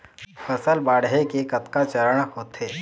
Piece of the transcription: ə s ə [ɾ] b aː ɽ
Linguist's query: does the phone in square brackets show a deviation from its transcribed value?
yes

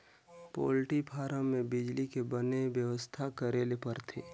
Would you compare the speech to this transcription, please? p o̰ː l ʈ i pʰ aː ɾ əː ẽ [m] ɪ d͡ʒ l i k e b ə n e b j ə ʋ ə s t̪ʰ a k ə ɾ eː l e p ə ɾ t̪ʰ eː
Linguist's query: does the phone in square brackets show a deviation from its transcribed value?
yes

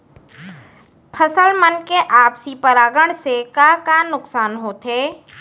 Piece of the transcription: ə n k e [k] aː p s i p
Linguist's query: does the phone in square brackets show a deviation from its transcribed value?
yes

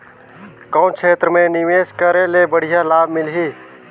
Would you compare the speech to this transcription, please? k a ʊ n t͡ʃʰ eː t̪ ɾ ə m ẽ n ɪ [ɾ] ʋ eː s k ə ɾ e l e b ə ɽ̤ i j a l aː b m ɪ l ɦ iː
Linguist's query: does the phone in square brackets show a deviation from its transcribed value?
yes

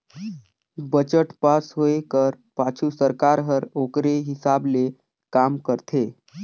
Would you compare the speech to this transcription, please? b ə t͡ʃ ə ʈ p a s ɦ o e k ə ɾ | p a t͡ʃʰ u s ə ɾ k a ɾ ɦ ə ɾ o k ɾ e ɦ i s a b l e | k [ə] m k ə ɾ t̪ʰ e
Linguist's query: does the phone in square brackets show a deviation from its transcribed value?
yes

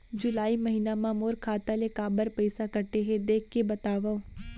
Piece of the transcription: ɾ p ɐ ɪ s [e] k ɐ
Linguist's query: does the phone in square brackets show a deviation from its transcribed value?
yes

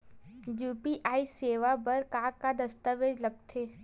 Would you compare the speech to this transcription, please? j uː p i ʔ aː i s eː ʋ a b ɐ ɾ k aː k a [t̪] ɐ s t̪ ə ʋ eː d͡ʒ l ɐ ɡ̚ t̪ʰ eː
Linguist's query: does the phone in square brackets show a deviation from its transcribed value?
yes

